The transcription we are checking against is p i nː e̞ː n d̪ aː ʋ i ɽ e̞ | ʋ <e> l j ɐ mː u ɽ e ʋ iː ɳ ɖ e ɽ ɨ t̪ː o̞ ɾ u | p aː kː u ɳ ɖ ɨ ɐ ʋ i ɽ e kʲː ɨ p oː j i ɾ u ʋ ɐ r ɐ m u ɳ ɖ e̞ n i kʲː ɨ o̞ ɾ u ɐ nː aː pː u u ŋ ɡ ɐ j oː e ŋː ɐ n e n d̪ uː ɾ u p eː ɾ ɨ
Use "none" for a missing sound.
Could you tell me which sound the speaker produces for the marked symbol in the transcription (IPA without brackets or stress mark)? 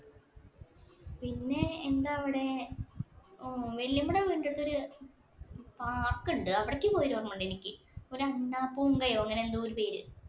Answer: e